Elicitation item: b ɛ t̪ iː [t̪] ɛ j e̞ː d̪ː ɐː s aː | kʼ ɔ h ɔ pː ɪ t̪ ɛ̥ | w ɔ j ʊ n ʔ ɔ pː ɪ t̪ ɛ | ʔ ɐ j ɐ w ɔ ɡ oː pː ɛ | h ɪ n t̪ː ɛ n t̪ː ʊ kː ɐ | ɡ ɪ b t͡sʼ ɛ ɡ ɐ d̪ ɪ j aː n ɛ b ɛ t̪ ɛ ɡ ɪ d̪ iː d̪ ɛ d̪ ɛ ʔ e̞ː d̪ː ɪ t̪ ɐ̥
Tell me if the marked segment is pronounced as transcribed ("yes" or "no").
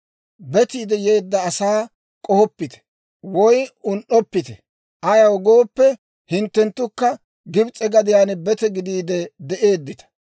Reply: no